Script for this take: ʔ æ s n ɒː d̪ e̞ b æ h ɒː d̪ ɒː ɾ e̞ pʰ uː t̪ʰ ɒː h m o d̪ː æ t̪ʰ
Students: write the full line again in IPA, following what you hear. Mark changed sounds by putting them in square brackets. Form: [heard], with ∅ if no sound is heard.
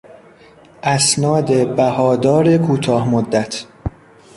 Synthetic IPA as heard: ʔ æ s n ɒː d̪ e̞ b æ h ɒː d̪ ɒː ɾ e̞ [kʰ] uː t̪ʰ ɒː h m o d̪ː æ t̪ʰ